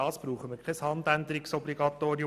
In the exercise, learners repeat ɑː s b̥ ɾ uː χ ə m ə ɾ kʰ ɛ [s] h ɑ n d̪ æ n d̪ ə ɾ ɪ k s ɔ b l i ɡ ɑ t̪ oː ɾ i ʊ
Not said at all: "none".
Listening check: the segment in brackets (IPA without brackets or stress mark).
s